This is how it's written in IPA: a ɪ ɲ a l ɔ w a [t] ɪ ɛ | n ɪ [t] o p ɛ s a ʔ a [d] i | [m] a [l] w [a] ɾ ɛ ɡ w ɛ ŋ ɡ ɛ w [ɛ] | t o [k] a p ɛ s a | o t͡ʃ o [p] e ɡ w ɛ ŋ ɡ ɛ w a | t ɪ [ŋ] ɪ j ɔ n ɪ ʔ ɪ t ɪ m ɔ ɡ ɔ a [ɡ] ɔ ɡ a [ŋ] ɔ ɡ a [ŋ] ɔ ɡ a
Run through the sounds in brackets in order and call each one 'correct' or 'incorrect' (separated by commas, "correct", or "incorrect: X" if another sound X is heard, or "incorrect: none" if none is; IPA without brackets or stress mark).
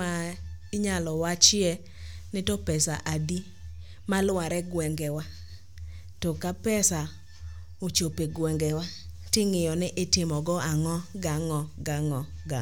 incorrect: t͡ʃ, correct, correct, correct, correct, correct, incorrect: a, correct, correct, correct, incorrect: ŋ, correct, correct